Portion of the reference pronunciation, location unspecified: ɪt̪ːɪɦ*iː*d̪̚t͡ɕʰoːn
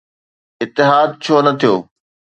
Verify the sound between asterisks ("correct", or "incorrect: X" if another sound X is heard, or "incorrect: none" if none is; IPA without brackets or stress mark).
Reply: incorrect: aː